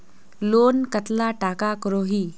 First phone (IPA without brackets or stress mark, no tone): l